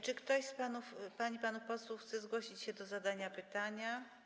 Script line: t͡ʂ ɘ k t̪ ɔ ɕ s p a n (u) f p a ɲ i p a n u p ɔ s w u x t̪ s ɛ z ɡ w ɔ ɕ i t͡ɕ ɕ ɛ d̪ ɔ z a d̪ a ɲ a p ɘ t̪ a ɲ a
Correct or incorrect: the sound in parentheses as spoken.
correct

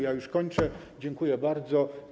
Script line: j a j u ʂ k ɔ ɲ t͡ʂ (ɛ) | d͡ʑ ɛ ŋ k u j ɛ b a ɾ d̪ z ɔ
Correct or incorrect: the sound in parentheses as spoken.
correct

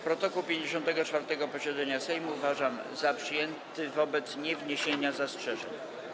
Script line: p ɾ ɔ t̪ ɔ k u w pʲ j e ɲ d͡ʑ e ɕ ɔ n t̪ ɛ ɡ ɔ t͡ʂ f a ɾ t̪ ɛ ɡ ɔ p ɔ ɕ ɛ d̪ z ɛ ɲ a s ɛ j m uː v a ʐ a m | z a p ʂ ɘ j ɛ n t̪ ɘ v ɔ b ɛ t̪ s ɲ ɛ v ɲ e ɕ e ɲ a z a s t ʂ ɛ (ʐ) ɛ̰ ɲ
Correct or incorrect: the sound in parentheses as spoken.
correct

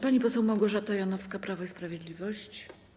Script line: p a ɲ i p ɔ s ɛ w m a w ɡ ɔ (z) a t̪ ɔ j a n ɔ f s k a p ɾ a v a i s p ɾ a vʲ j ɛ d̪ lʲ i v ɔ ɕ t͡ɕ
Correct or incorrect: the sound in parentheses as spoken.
incorrect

